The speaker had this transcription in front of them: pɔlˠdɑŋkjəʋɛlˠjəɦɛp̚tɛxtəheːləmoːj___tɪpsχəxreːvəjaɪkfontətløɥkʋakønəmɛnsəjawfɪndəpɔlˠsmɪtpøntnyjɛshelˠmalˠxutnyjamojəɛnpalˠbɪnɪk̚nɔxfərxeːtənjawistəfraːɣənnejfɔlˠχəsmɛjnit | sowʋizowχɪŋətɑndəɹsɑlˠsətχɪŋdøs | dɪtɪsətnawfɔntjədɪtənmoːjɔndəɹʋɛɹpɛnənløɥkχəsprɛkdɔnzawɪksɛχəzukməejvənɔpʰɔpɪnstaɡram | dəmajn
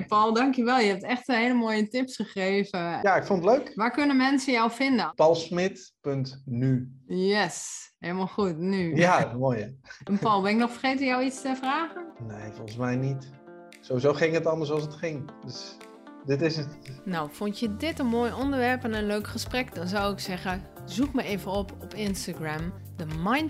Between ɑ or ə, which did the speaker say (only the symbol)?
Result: ə